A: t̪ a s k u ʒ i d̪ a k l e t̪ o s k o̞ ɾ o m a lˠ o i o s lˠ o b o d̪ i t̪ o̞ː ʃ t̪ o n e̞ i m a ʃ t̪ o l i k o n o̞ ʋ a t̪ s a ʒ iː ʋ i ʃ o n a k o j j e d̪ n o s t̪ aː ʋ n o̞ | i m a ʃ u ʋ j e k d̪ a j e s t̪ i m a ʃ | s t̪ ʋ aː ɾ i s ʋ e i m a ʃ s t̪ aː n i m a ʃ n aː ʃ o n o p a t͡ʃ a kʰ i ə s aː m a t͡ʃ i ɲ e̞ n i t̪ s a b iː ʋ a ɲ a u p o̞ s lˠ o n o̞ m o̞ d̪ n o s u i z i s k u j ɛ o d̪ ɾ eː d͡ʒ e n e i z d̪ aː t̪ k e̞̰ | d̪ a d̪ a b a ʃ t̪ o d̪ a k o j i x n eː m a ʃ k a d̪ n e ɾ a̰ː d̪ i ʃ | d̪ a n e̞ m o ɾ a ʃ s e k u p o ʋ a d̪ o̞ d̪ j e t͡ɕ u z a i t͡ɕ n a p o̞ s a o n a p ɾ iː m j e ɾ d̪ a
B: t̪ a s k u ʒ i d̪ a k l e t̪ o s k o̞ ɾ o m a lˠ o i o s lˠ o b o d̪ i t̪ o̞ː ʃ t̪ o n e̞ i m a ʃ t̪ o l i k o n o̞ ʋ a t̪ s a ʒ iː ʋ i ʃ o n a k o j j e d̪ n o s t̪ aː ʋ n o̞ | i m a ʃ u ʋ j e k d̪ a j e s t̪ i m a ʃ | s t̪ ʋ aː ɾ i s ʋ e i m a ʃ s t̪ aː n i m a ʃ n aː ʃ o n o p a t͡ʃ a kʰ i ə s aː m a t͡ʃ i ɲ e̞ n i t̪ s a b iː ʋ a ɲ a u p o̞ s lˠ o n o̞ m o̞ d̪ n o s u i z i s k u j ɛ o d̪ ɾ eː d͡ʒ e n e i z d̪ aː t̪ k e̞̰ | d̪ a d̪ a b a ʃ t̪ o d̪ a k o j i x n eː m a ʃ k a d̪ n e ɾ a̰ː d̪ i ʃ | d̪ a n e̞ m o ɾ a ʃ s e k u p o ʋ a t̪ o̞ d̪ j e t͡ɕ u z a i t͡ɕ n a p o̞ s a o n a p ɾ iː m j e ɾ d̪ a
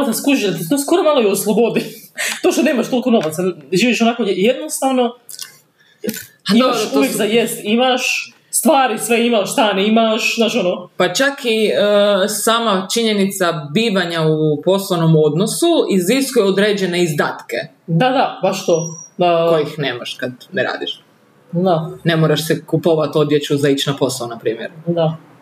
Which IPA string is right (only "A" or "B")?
B